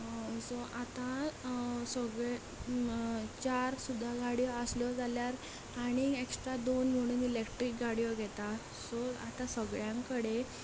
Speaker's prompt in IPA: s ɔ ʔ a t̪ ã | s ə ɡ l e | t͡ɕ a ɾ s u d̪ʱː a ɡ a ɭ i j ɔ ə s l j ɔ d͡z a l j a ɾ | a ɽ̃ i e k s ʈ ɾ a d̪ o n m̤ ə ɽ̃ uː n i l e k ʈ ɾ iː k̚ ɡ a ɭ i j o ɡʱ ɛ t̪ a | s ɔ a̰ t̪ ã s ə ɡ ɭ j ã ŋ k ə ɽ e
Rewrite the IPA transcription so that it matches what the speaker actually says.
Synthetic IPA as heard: s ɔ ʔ a t̪ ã | s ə ɡ ɭ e | t͡ɕ a ɾ s u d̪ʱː a ɡ a ɽ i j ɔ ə s l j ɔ d͡z a l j a ɾ | a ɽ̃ i e k s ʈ ɾ a d̪ o n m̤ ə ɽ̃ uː n i l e k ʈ ɾ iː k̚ ɡ a ɽ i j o ɡʱ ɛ t̪ a | s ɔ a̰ t̪ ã s ə ɡ ɭ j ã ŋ k ə ɽ e